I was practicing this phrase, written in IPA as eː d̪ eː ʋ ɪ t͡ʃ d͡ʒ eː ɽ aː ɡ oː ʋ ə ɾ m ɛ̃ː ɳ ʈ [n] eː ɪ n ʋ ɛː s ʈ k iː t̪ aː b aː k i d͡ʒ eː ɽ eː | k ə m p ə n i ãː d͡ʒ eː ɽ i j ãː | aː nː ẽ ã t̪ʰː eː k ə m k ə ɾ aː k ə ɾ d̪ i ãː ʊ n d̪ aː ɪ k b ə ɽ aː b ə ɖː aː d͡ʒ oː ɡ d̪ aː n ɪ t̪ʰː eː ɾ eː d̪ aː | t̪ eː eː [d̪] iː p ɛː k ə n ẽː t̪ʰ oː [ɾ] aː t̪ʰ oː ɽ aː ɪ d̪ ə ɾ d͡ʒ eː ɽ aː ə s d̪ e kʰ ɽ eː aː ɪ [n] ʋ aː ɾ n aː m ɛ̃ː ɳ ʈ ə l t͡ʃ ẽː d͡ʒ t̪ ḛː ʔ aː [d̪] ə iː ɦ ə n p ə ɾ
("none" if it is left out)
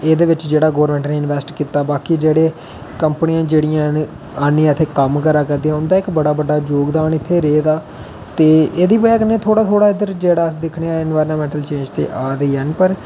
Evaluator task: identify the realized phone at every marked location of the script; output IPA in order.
n, d̪, ɽ, n, d̪

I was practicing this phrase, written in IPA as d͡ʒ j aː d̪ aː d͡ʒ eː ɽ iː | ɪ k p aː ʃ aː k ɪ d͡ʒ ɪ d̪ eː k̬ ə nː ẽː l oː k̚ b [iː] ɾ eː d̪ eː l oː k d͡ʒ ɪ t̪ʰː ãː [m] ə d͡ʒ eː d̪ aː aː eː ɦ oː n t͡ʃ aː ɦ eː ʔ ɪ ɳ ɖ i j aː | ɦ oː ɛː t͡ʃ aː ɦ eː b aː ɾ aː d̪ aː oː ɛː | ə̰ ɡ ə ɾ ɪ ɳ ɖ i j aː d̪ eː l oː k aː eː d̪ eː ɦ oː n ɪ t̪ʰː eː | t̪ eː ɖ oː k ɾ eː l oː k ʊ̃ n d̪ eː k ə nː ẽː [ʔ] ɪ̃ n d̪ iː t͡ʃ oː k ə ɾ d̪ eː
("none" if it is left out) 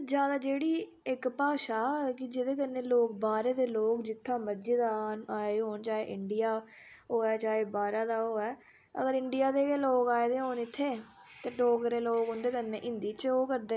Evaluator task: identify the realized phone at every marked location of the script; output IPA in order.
aː, m, ʔ

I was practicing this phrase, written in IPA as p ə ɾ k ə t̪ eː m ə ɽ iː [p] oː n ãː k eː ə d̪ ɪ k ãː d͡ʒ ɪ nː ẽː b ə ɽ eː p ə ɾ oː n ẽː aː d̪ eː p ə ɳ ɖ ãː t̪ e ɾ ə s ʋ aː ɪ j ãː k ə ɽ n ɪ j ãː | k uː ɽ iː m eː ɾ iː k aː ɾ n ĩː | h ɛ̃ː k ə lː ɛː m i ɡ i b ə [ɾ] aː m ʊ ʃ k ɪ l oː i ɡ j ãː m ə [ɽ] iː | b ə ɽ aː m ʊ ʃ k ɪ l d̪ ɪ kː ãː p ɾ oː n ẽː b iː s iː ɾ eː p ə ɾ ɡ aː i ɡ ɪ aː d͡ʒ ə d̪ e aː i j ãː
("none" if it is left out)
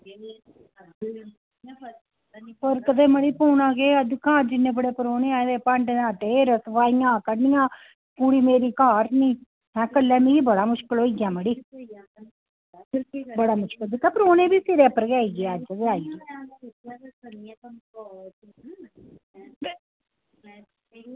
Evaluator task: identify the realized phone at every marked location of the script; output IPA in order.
p, ɽ, ɽ

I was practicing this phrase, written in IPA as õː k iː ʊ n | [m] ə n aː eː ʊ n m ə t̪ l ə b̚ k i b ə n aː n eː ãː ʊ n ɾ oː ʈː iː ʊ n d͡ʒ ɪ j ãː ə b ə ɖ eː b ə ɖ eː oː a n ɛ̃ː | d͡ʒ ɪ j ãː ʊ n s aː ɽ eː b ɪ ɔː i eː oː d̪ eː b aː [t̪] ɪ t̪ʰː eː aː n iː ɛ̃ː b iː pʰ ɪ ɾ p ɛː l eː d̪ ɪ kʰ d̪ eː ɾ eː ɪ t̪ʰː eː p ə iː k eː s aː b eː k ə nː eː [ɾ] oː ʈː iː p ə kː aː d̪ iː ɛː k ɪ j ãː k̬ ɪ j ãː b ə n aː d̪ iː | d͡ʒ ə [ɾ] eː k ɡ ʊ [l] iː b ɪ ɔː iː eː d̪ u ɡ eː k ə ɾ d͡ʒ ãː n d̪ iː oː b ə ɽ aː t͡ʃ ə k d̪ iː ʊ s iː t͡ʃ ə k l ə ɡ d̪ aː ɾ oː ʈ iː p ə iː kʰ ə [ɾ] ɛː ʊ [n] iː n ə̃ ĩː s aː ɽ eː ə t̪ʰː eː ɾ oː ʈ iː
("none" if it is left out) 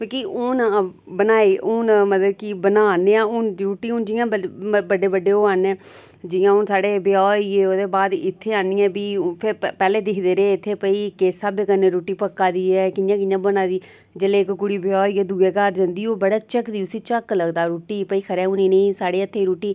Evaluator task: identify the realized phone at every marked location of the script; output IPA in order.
b, d̪, ɾ, l, ɽ, ɾ, n

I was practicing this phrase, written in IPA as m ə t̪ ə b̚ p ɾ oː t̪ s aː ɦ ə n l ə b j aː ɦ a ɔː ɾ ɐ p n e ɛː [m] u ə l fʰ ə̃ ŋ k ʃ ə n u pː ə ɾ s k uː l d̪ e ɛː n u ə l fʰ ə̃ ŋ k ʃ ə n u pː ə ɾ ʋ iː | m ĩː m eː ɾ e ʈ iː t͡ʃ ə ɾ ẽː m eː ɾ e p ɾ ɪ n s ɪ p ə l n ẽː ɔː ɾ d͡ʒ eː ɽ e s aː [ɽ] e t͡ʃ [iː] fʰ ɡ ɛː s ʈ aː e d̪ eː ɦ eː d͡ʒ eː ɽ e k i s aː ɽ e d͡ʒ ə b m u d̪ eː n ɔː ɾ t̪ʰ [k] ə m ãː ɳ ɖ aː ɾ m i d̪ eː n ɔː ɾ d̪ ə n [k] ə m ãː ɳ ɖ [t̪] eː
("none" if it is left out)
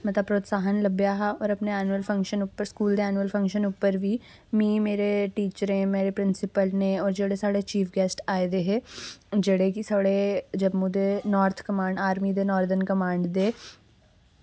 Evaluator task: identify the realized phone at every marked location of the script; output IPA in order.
n, ɽ, iː, k, k, d̪

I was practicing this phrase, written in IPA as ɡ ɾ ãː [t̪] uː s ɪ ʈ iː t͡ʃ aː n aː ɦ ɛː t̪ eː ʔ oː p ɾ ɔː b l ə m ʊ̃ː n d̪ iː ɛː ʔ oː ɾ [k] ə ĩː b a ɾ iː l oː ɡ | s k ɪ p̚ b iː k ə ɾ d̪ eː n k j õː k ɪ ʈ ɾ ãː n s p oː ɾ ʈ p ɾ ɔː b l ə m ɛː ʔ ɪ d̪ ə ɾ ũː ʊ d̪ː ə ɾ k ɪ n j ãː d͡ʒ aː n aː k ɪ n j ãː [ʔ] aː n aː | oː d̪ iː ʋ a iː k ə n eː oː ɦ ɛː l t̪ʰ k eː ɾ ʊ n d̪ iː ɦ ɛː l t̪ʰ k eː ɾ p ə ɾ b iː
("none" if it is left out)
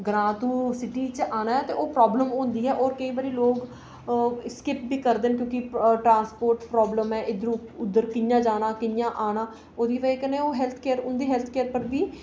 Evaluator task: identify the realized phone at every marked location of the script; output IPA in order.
t̪, k, ʔ

